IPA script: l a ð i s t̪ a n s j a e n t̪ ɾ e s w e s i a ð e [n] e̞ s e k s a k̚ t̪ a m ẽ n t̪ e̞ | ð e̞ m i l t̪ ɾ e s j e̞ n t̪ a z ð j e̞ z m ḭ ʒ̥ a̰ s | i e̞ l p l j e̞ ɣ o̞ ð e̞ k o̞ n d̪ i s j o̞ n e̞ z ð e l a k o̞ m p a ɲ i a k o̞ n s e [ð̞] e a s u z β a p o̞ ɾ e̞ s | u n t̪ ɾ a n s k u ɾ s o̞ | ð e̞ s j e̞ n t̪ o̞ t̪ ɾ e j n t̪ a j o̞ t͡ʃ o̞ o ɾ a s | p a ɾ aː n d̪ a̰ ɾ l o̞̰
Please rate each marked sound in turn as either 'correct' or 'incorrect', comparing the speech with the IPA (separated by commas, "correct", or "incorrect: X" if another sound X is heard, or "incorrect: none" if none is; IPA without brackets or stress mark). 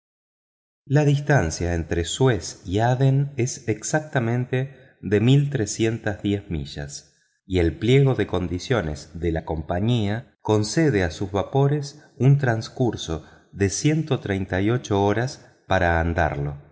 correct, correct